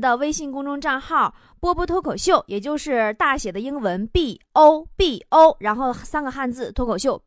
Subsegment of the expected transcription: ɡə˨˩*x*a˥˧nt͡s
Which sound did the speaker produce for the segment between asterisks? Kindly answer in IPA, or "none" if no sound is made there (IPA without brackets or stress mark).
x